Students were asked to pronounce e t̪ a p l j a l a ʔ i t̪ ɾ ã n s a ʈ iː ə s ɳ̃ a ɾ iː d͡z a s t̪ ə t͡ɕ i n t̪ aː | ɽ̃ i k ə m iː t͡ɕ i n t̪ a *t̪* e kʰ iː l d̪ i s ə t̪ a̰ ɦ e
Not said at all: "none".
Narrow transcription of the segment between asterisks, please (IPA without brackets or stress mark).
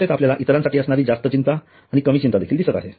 d̪